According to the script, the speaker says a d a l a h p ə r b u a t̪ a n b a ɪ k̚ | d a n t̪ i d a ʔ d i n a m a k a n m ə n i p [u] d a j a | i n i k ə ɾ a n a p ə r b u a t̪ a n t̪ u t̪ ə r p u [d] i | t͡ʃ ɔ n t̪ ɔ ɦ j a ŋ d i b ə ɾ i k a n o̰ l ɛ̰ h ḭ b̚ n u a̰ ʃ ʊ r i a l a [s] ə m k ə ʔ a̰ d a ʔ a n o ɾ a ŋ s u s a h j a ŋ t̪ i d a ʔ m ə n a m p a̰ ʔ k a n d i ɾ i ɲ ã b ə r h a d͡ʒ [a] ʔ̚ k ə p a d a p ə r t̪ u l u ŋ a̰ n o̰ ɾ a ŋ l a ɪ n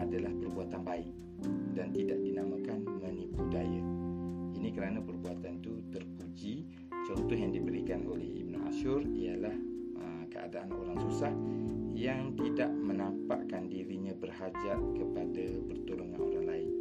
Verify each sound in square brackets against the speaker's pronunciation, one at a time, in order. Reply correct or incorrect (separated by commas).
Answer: correct, incorrect, incorrect, correct